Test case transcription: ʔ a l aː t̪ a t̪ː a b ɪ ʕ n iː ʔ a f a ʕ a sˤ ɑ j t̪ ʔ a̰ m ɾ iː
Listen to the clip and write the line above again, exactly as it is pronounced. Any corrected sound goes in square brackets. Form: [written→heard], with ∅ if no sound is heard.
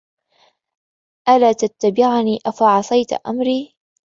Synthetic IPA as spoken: ʔ a l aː t̪ a t̪ː a b ɪ ʕ n iː ʔ a f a ʕ [a→ɑ] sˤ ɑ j t̪ ʔ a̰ m ɾ iː